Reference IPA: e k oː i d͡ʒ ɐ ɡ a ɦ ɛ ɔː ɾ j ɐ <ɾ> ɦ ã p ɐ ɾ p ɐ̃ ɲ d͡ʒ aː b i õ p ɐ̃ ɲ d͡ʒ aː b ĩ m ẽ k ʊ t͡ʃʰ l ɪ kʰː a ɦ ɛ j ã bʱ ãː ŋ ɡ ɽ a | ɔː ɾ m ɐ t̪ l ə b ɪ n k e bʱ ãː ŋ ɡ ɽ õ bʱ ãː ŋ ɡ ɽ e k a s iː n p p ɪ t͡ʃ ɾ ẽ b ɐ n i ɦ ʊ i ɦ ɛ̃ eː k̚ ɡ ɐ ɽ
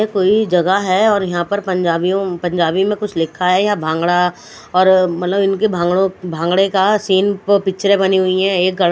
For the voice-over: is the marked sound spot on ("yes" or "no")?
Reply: no